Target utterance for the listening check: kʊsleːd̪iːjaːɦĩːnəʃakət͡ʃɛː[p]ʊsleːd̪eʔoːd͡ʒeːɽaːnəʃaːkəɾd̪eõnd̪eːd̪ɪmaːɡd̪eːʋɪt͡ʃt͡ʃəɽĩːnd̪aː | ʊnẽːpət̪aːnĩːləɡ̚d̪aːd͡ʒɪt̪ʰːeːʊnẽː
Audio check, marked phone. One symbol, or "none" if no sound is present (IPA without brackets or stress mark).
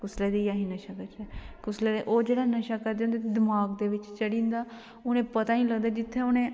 k